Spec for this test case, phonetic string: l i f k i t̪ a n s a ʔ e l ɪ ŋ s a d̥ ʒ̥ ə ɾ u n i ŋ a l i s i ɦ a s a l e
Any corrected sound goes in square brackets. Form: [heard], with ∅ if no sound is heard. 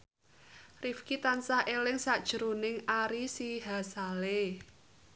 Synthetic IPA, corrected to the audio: [r] i f k i t̪ a n s a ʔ e l ɪ ŋ s a d̥ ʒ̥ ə ɾ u n [ɪ] ŋ a [ɾ] i s i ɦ a s a l e